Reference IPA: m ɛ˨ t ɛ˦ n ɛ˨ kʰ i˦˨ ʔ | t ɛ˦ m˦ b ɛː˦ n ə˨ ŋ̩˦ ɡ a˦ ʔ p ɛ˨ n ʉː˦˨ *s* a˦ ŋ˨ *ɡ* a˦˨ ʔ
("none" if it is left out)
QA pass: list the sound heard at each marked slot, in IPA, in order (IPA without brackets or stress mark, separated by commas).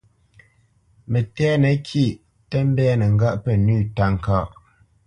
t, k